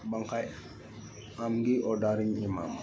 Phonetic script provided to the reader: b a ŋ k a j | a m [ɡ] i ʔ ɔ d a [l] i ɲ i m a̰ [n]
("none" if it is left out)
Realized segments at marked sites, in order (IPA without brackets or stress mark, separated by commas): ɡ, ɾ, m